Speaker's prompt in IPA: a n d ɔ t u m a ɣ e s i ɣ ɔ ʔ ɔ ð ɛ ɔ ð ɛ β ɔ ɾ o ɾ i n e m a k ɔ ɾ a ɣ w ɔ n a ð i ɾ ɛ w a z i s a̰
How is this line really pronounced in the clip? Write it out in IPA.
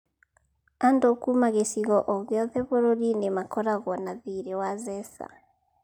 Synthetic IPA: a n d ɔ k u m a ɣ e s i ɣ ɔ ʔ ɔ ɣ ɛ ɔ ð ɛ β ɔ ɾ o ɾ i n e m a k ɔ ɾ a ɣ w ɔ n a ð i ɾ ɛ w a z ɛ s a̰